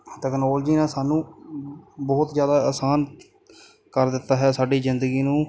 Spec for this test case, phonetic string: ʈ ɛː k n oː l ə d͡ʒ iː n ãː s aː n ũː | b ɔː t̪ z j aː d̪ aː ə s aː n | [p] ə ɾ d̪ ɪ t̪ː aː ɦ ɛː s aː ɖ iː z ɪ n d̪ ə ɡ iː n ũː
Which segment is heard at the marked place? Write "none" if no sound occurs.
k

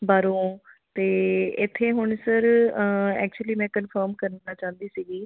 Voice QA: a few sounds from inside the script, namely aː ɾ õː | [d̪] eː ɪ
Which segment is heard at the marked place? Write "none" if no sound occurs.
t̪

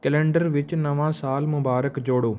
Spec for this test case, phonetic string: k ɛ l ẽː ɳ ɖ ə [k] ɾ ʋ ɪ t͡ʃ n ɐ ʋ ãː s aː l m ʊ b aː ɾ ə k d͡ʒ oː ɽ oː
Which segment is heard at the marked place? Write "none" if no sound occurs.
none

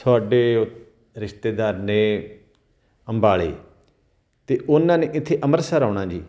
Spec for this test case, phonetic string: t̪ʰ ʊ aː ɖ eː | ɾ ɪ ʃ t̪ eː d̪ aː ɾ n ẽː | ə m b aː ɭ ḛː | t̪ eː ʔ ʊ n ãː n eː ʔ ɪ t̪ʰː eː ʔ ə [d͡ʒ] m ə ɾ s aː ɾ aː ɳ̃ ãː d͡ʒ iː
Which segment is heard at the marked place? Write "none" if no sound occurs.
none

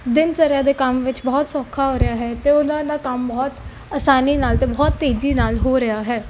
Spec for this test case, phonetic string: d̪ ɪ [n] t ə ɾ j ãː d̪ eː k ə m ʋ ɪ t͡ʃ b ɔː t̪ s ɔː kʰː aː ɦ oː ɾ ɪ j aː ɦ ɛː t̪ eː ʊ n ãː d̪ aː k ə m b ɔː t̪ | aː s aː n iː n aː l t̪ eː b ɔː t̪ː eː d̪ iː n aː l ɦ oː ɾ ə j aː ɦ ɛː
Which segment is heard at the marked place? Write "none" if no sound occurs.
n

